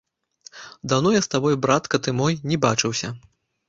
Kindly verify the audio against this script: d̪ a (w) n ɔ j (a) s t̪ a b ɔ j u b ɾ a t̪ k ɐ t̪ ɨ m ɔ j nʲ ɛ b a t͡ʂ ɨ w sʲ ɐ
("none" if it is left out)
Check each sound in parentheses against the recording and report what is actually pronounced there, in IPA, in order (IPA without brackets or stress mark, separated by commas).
w, a